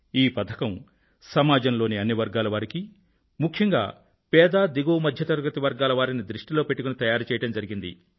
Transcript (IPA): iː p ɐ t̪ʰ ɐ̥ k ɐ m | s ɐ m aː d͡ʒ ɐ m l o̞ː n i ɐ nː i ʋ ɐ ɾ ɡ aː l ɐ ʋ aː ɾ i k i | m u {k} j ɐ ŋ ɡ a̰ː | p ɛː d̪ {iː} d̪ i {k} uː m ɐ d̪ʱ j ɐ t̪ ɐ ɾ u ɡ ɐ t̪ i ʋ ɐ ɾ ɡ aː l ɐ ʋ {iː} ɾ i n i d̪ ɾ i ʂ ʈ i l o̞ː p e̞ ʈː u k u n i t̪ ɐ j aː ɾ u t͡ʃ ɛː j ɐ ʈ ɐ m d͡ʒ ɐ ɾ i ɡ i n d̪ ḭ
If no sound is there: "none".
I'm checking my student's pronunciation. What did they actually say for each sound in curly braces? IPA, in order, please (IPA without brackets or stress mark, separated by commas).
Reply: kʰ, aː, ɡ, aː